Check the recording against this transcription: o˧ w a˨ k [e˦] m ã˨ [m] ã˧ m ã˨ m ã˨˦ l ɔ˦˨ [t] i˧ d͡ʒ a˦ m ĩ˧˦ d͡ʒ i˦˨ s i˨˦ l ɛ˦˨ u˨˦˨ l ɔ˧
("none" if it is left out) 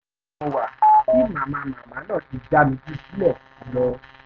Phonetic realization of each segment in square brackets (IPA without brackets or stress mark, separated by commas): i˦, m, t